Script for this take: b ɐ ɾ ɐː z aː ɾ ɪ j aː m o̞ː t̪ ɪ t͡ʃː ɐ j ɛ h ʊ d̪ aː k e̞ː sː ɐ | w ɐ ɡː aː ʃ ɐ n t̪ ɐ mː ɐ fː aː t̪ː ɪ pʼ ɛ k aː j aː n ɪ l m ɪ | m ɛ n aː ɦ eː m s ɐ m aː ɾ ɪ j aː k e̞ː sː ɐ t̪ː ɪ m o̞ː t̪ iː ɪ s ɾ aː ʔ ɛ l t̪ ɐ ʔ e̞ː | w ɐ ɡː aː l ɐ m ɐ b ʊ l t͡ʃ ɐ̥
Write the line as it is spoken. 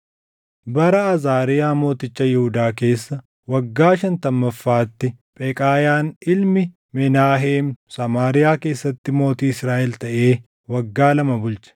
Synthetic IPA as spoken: b ɐ ɾ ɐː z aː ɾ ɪ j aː m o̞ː t̪ ɪ t͡ʃː ɐ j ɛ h ʊ d̪ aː k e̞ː sː ɐ | w ɐ ɡː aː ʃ ɐ n t̪ ɐ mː ɐ fː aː t̪ː ɪ pʼ ɛ kʼ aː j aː n ɪ l m ɪ | m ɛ n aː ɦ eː m s ɐ m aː ɾ ɪ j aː k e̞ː sː ɐ t̪ː ɪ m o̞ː t̪ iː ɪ s ɾ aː ʔ ɛ l t̪ ɐ ʔ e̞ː | w ɐ ɡː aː l ɐ m ɐ b ʊ l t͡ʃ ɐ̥